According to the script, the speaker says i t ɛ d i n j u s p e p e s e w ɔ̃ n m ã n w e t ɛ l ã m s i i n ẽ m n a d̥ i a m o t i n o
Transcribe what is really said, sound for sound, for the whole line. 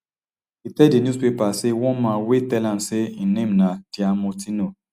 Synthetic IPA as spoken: i t ɛ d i n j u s p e p a s e w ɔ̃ n m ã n w e t ɛ l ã m s e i n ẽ m n a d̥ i a m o t i n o